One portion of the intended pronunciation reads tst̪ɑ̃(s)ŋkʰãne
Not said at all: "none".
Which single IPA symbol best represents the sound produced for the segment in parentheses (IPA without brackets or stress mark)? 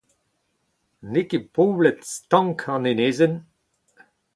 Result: none